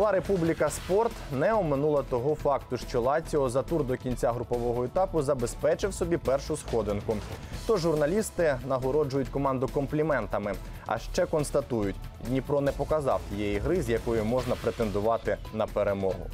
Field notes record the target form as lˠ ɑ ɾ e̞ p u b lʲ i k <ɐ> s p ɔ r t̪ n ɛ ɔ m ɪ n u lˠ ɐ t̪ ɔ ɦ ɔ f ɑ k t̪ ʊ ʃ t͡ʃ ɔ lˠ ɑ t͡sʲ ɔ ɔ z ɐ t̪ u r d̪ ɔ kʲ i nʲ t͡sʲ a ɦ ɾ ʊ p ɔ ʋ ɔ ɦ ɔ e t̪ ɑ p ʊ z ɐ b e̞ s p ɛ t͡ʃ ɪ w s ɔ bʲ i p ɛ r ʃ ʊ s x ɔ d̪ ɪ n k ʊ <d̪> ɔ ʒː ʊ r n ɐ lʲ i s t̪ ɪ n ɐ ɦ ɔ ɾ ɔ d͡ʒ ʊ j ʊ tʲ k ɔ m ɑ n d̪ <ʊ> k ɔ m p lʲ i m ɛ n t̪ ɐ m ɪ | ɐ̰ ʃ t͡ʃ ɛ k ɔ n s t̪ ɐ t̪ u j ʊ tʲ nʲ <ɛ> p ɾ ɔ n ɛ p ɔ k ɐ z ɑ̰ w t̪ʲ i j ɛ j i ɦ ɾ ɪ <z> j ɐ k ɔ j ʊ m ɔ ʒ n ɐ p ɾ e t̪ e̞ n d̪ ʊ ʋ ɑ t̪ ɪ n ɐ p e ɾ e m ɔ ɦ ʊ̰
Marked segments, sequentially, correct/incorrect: correct, incorrect, correct, incorrect, correct

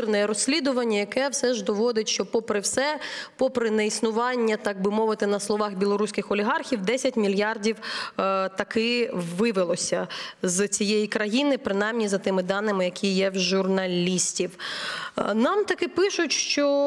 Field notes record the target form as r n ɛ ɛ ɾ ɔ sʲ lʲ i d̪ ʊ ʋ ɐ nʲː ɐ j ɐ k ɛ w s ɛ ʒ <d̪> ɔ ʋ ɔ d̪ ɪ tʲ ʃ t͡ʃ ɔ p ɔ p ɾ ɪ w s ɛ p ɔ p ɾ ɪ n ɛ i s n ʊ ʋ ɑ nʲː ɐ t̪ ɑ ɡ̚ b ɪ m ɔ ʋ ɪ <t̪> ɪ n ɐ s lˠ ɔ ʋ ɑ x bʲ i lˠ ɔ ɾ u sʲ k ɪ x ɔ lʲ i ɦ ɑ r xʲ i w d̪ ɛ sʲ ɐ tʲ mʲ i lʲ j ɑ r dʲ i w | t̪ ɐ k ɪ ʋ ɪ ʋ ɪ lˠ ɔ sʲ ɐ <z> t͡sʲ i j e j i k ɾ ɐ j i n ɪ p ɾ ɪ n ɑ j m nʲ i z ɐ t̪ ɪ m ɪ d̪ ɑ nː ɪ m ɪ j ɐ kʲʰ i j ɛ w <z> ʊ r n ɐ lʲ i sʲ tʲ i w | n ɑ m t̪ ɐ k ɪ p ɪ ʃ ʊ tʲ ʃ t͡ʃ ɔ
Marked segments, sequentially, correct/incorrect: correct, correct, correct, incorrect

